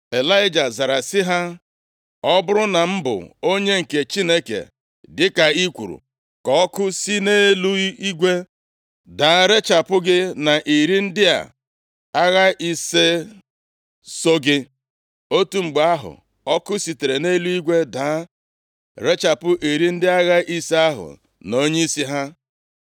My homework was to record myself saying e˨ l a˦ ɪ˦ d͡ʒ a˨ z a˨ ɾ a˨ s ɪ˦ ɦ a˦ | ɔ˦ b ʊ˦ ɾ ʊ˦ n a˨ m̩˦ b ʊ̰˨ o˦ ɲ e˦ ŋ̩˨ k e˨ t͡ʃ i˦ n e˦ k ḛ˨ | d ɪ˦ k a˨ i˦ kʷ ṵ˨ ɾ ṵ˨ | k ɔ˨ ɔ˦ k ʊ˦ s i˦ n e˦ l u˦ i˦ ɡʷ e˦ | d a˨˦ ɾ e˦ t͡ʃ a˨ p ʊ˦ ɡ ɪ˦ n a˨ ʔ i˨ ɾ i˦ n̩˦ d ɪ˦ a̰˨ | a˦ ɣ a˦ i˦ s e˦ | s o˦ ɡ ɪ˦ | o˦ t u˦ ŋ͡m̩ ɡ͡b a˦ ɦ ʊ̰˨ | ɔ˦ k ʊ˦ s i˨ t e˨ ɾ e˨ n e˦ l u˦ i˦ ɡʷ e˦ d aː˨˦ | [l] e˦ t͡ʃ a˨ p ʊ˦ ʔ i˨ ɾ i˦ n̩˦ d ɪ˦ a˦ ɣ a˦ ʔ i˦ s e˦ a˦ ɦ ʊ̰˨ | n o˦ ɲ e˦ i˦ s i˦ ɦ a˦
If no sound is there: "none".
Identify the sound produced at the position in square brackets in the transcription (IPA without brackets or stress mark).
ɾ